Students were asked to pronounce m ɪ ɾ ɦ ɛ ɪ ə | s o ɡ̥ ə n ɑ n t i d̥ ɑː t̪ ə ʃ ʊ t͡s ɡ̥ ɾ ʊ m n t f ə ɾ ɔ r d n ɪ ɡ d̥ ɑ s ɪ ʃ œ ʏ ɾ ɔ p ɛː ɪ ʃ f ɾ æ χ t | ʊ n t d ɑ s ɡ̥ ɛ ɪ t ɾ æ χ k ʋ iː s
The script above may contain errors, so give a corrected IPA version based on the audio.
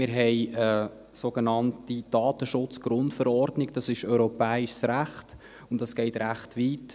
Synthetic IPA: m ɪ ɾ ɦ ɛ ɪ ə | s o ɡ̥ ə n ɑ n t i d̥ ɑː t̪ ə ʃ ʊ t͡s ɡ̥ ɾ ʊ n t f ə ɾ ɔ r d n ɪ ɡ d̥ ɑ s ɪ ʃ œ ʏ ɾ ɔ p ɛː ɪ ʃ s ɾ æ χ t | ʊ n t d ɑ s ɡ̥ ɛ ɪ t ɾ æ χ t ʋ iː t